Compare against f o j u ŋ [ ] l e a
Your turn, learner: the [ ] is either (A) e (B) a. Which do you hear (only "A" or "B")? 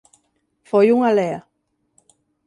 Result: B